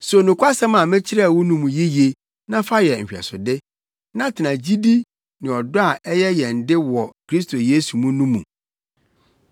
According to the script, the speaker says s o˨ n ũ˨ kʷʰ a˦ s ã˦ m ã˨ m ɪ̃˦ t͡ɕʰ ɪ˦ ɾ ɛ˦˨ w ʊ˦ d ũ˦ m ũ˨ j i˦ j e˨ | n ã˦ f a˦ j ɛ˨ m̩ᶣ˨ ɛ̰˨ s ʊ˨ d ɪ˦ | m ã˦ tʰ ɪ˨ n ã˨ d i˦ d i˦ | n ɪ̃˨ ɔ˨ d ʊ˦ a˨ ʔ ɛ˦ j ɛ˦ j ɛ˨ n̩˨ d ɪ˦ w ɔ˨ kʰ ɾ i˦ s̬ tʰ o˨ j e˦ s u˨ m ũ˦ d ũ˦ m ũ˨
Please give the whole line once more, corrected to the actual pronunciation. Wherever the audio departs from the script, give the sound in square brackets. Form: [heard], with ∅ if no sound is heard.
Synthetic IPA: s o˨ n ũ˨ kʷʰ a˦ s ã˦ m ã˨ m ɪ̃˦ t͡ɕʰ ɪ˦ ɾ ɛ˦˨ w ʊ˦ [n] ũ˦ m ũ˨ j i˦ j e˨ | n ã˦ f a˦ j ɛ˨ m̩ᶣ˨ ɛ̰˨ s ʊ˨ d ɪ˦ | [n] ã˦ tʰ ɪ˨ n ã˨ [d͡ʑ] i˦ d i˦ | n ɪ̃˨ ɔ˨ d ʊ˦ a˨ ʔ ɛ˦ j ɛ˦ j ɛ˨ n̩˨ d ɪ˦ w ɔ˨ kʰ ɾ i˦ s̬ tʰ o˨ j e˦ s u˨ m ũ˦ [n] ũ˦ m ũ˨